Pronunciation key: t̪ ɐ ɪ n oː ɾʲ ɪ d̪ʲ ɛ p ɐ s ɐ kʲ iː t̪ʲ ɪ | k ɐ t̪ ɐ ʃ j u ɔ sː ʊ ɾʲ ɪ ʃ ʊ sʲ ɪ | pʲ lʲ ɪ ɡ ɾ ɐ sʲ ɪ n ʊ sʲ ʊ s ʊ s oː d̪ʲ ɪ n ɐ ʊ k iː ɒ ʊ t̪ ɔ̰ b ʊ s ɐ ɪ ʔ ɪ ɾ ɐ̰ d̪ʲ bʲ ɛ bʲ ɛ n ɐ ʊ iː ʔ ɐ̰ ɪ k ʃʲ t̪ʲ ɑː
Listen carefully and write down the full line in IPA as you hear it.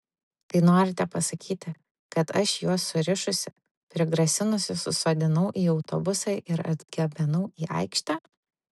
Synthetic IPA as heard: t̪ ɐ ɪ n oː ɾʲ ɪ t̪ʲ ɛ p ɐ s ɐ kʲ iː t̪ʲ ɪ | k ɐ t̪ ɐ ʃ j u ɔ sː ʊ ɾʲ ɪ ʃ ʊ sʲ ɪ | pʲ ɾʲ ɪ ɡ ɾ ɐ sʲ ɪ n ʊ sʲ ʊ s ʊ s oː d̪ʲ ɪ n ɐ ʊ ʔ iː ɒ ʊ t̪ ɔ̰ b ʊ s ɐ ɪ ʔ ɪ ɾ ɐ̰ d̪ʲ ɡʲ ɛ bʲ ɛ n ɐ ʊ iː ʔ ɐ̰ ɪ k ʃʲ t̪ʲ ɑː

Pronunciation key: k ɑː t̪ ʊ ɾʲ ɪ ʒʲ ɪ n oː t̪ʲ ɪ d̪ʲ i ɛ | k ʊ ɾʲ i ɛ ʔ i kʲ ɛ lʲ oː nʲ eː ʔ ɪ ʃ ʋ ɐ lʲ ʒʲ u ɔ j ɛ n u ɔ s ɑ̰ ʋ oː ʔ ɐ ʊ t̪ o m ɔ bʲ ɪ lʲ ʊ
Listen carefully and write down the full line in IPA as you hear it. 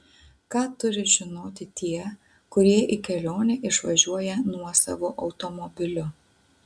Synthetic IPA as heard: k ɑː t̪ ʊ ɾʲ ɪ ʒʲ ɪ n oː t̪ʲ ɪ t̪ʲ i ɛ | k ʊ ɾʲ i ɛ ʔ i kʲ ɛ lʲ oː nʲ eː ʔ ɪ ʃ ʋ ɐ ʒʲ u ɔ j ɛ n u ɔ s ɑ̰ ʋ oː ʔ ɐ ʊ t̪ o m ɔ bʲ ɪ lʲ ʊ

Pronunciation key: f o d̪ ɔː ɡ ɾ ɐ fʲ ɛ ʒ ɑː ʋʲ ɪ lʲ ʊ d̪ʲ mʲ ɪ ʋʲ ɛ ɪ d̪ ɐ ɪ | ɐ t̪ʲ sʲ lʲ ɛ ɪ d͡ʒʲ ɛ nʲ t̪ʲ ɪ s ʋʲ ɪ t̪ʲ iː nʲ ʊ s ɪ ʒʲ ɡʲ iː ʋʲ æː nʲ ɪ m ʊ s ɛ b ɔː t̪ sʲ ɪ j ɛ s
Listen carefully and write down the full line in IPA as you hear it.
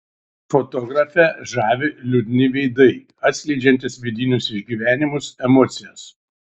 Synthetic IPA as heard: f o t̪ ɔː ɡ ɾ ɐ fʲ ɛ ʒ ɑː ʋʲ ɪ lʲ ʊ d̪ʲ nʲ ɪ ʋʲ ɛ ɪ d̪ ɐ ɪ | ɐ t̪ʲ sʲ lʲ ɛ ɪ d͡ʒʲ ɛ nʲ t̪ʲ ɪ s ʋʲ ɪ d̪ʲ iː nʲ ʊ s ɪ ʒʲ ɡʲ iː ʋʲ æː nʲ ɪ m ʊ s ɛ m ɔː t̪ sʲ ɪ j ɛ s

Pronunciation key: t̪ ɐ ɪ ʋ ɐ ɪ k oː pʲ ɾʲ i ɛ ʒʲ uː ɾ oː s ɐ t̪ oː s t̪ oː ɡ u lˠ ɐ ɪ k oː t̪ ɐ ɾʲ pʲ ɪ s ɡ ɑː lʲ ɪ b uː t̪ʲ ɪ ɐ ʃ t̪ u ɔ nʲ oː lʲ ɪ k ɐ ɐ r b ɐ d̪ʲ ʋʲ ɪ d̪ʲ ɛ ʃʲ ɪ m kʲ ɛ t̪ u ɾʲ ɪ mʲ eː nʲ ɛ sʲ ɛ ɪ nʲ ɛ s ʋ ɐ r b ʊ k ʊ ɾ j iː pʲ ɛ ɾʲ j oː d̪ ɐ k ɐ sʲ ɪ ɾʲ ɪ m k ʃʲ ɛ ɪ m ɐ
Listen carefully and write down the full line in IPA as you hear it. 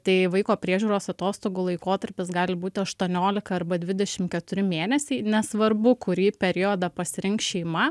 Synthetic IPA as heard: t̪ ɐ ɪ ʋ ɐ ɪ k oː pʲ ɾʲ i ɛ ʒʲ uː ɾ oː s ɐ t̪ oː s t̪ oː ɡ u lˠ ɐ ɪ k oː t̪ ɐ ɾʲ pʲ ɪ s ɡ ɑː lʲ ɪ b uː t̪ʲ ɪ ɐ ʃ t̪ u ɔ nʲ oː lʲ ɪ k ɐ ɐ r b ɐ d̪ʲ ʋʲ ɪ d̪ʲ ɛ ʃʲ ɪ m kʲ ɛ t̪ ʊ ɾʲ ɪ mʲ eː nʲ ɛ sʲ ɛ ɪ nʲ ɛ s ʋ ɐ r b ʊ k ʊ ɾ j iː pʲ ɛ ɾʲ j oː d̪ ɐ p ɐ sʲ ɪ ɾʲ ɪ ŋ k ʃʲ ɛ ɪ m ɐ

